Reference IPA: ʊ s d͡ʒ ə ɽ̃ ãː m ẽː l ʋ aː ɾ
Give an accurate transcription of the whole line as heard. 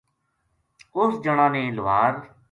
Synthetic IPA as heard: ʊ s d͡ʒ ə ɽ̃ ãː n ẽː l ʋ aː ɾ